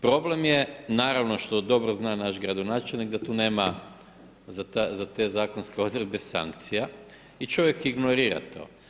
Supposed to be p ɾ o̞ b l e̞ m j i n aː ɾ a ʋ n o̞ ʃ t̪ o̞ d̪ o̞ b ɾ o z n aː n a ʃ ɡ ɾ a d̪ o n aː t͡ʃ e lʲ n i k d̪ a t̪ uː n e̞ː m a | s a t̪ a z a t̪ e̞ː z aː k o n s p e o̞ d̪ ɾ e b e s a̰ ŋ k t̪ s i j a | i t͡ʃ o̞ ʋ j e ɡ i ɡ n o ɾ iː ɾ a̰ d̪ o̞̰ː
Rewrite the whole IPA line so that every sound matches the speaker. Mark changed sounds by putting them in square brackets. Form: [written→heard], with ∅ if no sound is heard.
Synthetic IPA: p ɾ o̞ b l e̞ m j [i→e] n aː ɾ a ʋ n o̞ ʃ t̪ o̞ d̪ o̞ b ɾ o z n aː n a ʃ ɡ ɾ a d̪ o n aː t͡ʃ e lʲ n i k d̪ a t̪ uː n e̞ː m a | [s→z] a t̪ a z a t̪ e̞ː z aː k o n s [p→k] e o̞ d̪ ɾ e b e s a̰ ŋ k t̪ s i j a | i t͡ʃ o̞ ʋ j e [ɡ→k] i ɡ n o ɾ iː ɾ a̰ [d̪→t̪] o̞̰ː